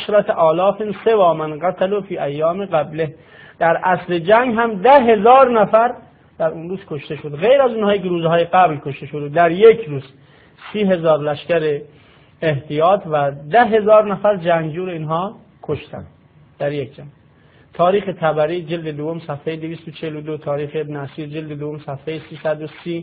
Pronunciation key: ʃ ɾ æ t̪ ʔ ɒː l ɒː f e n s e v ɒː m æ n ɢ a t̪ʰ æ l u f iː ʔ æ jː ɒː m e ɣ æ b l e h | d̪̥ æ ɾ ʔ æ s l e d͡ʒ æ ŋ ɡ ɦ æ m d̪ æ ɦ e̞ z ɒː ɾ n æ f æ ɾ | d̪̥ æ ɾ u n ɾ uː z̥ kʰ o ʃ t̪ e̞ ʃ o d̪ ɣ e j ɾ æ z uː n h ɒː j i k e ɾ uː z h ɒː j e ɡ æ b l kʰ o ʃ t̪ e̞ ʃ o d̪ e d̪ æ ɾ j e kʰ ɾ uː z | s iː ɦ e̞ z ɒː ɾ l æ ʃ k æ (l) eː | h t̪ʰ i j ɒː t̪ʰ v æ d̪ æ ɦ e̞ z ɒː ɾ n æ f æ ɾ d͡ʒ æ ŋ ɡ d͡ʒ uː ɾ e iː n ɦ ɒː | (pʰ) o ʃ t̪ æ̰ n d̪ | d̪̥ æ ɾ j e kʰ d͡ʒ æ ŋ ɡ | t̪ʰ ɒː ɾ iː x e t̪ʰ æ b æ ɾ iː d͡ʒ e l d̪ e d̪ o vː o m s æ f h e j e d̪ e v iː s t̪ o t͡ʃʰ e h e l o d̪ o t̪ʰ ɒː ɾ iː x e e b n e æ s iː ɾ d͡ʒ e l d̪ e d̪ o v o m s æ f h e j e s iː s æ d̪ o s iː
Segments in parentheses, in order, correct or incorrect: incorrect, incorrect

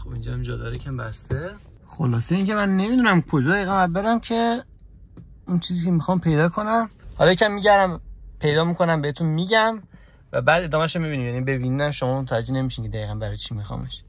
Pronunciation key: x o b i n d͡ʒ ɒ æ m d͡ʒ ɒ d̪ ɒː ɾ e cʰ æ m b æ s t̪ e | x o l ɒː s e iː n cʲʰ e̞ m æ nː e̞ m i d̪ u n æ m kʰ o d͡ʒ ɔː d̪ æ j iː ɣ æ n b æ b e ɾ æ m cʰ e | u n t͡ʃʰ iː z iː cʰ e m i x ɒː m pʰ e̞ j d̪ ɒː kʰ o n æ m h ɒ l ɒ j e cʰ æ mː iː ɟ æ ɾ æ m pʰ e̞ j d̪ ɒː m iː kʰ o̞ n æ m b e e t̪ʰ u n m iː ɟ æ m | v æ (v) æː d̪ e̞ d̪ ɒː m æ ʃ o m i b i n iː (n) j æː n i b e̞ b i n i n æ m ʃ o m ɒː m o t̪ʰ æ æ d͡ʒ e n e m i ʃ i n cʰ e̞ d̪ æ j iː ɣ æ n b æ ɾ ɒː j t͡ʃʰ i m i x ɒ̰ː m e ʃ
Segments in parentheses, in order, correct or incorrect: incorrect, incorrect

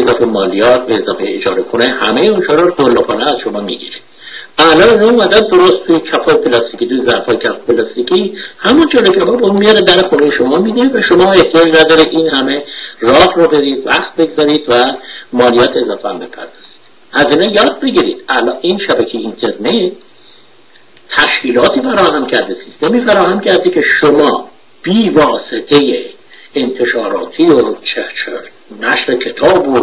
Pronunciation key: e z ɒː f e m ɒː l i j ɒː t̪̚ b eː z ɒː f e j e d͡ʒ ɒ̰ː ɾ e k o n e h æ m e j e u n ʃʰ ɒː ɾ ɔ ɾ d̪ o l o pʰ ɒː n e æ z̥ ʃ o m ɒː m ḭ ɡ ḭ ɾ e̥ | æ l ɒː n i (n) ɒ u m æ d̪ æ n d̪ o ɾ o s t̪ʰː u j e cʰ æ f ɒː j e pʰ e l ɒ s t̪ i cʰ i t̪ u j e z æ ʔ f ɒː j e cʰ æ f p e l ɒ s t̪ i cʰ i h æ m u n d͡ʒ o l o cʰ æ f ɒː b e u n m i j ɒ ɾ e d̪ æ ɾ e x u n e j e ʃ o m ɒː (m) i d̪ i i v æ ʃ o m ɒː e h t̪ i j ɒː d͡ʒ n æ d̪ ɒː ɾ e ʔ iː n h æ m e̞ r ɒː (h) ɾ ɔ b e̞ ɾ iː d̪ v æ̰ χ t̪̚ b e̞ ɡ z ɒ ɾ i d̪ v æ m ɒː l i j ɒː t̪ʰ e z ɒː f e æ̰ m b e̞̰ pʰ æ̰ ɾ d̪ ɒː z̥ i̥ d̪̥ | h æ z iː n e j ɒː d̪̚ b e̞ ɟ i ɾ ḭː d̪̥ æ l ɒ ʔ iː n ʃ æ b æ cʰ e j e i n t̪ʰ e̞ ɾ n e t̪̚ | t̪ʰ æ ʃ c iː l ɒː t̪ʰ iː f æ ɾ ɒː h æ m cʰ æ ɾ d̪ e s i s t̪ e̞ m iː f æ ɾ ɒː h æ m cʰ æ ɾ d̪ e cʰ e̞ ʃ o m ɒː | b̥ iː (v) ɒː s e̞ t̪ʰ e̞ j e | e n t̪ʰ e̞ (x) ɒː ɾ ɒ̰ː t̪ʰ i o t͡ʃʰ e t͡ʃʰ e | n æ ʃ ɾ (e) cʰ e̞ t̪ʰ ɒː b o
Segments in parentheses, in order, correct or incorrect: correct, correct, correct, correct, incorrect, correct

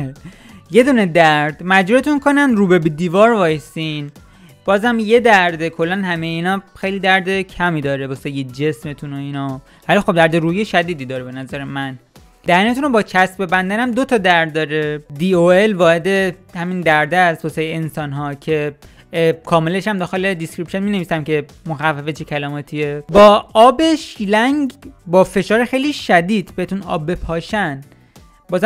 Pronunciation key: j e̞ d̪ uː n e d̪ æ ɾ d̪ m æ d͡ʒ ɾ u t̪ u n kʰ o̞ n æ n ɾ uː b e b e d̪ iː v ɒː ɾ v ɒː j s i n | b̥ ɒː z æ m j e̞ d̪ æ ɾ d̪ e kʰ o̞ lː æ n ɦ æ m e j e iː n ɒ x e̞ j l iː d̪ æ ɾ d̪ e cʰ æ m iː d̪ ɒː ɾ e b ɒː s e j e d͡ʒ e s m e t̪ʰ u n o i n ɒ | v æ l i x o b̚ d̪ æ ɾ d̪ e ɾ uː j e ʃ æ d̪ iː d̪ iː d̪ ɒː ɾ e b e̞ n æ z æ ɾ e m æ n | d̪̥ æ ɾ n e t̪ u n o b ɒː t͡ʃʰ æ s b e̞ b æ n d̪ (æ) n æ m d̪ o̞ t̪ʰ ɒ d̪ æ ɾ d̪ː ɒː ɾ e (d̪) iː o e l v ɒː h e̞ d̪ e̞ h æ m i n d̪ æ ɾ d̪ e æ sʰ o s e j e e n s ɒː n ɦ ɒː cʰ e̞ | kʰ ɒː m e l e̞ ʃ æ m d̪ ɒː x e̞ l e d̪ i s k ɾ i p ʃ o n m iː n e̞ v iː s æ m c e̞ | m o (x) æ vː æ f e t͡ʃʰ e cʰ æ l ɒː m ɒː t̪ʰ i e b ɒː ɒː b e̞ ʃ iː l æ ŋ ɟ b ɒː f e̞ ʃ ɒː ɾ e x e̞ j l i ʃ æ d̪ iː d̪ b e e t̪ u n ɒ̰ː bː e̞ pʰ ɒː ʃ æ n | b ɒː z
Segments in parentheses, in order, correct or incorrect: correct, correct, correct

